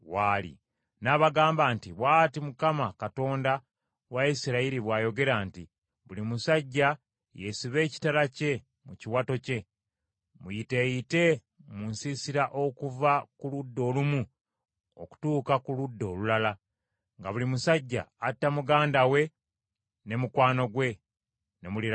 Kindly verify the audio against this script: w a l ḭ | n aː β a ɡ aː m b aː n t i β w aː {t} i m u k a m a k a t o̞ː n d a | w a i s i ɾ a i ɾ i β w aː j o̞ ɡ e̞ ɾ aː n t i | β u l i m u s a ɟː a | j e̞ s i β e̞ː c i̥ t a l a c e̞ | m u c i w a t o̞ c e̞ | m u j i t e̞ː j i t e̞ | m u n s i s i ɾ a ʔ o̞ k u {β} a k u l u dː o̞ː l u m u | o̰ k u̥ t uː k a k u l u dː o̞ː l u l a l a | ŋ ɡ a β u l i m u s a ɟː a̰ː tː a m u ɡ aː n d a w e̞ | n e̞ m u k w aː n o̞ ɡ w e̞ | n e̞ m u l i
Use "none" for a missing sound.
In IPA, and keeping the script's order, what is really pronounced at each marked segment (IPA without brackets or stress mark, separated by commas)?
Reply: t, v